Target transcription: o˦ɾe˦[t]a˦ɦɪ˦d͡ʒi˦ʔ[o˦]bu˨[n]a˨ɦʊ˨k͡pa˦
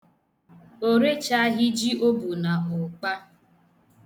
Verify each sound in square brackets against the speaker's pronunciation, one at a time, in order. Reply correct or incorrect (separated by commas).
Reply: incorrect, correct, correct